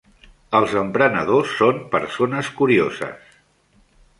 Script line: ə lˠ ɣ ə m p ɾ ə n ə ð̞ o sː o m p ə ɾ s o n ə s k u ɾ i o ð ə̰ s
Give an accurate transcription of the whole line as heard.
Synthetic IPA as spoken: ə lˠ z ə m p ɾ ə n ə ð̞ o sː o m p ə ɾ s o n ə s k u ɾ i o z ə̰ s